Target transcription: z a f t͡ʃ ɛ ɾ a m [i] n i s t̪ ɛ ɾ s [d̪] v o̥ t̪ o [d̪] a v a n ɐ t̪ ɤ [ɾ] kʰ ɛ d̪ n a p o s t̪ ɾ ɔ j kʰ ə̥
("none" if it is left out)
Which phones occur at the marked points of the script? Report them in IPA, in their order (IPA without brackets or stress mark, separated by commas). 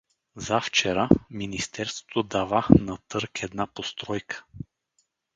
i, t̪, d̪, ɾ